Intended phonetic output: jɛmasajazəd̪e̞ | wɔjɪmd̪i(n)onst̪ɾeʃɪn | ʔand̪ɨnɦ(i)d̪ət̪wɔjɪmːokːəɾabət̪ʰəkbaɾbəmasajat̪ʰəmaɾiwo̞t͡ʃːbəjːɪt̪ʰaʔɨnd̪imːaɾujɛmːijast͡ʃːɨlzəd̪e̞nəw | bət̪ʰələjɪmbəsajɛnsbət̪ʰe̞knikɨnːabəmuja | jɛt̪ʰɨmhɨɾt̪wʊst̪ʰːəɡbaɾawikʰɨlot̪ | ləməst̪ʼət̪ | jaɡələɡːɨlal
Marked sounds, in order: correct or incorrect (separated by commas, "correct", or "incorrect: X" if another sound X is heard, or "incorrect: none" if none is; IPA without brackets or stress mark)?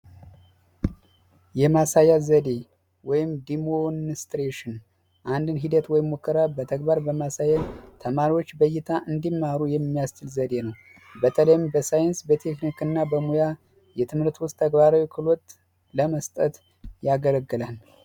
incorrect: m, correct